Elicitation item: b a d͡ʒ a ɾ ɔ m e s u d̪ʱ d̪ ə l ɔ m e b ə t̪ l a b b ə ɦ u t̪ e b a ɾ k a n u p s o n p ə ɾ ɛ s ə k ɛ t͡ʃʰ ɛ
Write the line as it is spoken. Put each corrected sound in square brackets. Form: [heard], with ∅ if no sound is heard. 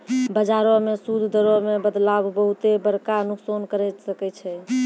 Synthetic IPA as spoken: b [ə] d͡ʒ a ɾ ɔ m e s u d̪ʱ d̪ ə [ɾ] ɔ m e b ə [d̪] l a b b ə ɦ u t̪ e b [ə] ɾ k a n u [k] s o n [k] ə ɾ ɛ s ə k ɛ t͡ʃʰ ɛ

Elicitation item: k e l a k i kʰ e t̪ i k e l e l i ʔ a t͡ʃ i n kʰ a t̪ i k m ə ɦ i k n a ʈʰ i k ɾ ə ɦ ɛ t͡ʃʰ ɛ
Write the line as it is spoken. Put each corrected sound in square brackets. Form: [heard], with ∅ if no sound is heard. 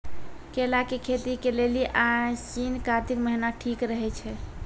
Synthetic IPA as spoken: k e l a k [e] kʰ e t̪ i k e l e l i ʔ a t͡ʃ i n [k] a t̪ i k m ə ɦ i [∅] n a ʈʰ i k ɾ ə ɦ ɛ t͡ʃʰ ɛ

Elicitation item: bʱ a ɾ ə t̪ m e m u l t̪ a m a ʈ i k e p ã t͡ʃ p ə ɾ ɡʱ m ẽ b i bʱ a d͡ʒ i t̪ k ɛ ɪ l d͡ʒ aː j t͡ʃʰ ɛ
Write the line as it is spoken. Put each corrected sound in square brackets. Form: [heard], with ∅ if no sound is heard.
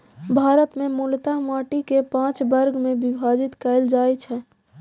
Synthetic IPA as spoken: bʱ a ɾ ə t̪ m e m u l t̪ a m a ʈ i k e p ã t͡ʃ [b] ə ɾ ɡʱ m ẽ b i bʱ a d͡ʒ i t̪ k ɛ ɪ l d͡ʒ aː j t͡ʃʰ ɛ

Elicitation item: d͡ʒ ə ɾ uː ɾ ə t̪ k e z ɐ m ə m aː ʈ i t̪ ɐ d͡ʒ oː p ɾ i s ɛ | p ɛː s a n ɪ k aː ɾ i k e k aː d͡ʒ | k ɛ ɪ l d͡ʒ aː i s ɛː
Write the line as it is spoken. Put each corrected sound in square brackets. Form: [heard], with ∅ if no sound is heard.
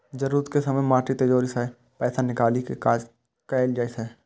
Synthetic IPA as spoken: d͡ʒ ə ɾ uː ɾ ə t̪ k e [s] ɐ m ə m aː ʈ i t̪ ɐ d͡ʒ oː [∅] ɾ i s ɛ | p ɛː s a n ɪ k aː [l] i k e k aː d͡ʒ | k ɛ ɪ l d͡ʒ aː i s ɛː

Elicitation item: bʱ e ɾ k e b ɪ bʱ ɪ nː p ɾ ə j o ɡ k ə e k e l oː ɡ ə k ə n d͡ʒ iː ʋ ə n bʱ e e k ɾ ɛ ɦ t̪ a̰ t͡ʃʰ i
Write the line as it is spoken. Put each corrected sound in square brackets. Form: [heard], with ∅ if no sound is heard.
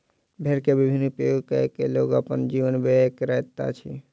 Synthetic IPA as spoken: bʱ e ɾ k e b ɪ bʱ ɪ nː p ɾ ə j o ɡ k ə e k e l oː ɡ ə [p] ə n d͡ʒ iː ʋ ə n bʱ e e k ɾ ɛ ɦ t̪ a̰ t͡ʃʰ i

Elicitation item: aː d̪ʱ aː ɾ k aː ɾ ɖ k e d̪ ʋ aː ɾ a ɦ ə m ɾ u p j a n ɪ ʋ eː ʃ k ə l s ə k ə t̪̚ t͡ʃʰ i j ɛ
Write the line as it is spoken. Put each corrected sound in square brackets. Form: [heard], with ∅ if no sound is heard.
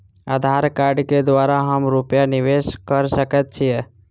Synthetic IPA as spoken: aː d̪ʱ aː ɾ k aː ɾ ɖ k e d̪ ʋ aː ɾ a ɦ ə m ɾ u p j a n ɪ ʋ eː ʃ k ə [ɾ] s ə k ə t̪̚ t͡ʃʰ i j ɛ

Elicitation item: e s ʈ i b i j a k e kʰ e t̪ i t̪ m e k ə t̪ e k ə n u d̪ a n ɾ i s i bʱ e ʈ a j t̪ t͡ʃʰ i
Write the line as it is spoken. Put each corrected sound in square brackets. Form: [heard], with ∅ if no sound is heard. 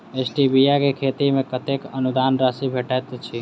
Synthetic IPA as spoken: e s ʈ i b i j a k e kʰ e t̪ i [∅] m e k ə t̪ e k ə n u d̪ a n ɾ [a] s i bʱ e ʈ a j t̪ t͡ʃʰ i

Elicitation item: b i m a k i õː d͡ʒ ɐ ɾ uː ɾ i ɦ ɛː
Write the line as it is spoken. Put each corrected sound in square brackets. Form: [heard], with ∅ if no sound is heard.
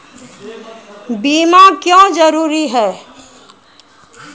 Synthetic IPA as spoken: b [iː] m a k [j] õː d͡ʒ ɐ ɾ uː ɾ i ɦ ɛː

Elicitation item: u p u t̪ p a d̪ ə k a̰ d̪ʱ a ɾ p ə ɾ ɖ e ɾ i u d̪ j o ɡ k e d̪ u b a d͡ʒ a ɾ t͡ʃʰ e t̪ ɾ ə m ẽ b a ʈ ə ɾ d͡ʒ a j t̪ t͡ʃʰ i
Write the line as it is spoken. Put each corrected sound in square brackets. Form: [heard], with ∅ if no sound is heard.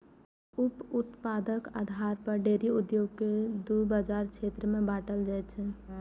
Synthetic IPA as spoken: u p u t̪ p a d̪ ə k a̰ d̪ʱ a ɾ p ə ɾ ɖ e ɾ i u d̪ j o ɡ k e d̪ u b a d͡ʒ a ɾ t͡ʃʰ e t̪ ɾ ə m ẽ b a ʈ ə [l] d͡ʒ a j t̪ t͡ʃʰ [ɛ]

